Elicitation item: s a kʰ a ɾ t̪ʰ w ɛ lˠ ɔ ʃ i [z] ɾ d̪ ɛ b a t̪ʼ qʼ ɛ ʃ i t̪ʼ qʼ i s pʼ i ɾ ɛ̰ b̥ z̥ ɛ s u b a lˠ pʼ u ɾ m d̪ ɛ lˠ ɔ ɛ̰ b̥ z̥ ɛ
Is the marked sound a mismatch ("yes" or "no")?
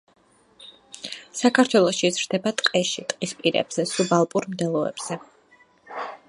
no